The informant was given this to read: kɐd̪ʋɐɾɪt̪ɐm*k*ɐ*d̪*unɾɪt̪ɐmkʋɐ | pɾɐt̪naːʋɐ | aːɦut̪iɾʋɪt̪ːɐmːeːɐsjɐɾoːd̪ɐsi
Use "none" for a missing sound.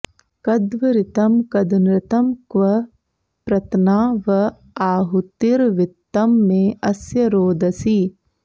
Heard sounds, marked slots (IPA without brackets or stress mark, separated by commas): k, d̪